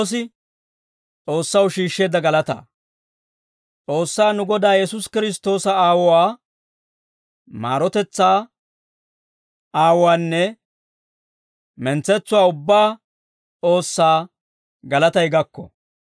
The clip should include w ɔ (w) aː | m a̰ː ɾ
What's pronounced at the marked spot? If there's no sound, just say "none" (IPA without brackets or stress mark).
w